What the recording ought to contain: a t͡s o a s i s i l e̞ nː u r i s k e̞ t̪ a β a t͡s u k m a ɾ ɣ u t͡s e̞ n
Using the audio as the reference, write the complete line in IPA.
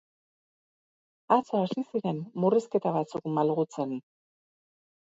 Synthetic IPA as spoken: a t͡s o a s i s i ɾ e̞ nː u r i s k e̞ t̪ a β a t͡s u k m a l ɣ u t͡s e̞ n